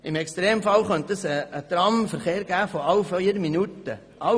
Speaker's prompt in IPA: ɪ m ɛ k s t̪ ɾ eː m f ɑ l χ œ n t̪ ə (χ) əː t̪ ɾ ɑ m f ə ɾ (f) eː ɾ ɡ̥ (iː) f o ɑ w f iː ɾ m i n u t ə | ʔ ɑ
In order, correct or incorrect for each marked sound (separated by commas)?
incorrect, incorrect, incorrect